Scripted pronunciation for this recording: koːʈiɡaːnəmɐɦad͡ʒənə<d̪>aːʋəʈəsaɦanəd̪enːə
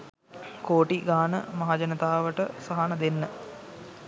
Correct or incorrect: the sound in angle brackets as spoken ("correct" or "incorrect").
incorrect